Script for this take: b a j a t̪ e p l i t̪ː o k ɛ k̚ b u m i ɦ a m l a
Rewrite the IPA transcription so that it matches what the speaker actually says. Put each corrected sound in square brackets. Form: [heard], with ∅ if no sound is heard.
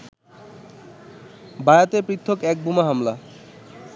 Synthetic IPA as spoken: b a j a t̪ e p [ɾ] i [t̪ʰː] o k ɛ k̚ b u m [a] ɦ a m l a